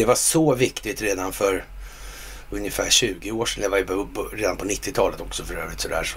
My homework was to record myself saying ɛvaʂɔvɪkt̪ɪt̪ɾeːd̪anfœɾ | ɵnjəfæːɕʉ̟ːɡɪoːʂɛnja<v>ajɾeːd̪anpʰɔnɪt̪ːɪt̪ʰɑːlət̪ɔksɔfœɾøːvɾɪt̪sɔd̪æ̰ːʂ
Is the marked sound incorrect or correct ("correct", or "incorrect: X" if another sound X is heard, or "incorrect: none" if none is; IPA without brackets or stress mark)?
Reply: correct